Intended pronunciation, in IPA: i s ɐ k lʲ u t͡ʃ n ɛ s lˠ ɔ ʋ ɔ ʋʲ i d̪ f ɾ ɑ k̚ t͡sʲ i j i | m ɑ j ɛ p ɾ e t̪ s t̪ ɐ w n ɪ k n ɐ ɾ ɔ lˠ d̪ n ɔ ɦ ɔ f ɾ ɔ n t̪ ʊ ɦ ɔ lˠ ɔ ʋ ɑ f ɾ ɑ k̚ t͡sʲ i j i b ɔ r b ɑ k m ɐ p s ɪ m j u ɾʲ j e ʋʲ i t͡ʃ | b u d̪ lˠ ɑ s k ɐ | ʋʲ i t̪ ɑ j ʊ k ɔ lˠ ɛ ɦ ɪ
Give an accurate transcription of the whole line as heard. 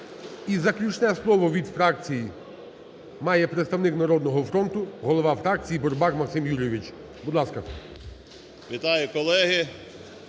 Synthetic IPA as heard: i z ɐ k lʲ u t͡ʃ n ɛ s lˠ ɔ ʋ ɔ ʋʲ i d̪ f ɾ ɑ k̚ t͡sʲ i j i | m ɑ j ɛ p ɾ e t̪ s t̪ ɐ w n ɪ k n ɐ ɾ ɔ d̪ n ɔ ɦ ɔ f ɾ ɔ n t̪ ʊ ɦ ɔ lˠ ɔ ʋ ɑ f ɾ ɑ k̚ t͡sʲ i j i b ɔ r b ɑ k m ɐ k s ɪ m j u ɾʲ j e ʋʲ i t͡ʃ | b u d̪ lˠ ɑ s k ɐ | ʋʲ i t̪ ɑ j ʊ k ɔ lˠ ɛ ɦ ɪ